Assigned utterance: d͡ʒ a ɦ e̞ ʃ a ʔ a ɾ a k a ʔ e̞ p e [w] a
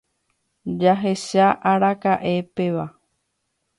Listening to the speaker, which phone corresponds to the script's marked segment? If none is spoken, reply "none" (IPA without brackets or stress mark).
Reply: ʋ